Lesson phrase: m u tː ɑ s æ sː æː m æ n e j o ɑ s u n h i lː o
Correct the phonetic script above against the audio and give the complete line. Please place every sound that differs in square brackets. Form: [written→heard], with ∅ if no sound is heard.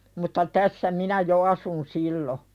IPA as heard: m u tː ɑ [s→t] æ sː [æː→æ] m [æ→i] n [e→æ] j o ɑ s u n [h→s] i lː o